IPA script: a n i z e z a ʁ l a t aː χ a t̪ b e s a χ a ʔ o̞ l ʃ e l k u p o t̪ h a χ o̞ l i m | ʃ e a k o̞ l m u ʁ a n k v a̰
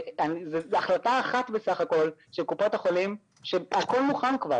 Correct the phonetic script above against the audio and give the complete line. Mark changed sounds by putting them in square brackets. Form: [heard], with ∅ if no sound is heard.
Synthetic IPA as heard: a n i z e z a [χ] l a t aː χ a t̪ b e s a χ a [k] o̞ l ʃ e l k u p o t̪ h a χ o̞ l i m | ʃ e a k o̞ l m u [χ] a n k v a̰